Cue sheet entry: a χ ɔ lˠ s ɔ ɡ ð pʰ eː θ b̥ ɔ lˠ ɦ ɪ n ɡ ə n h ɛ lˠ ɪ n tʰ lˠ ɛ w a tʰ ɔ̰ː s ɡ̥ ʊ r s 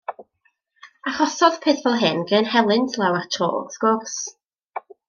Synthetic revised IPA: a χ ɔ s ɔ ð pʰ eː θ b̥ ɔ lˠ ɦ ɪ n ɡ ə n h ɛ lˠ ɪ n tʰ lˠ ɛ w a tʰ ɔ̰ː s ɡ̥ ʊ r s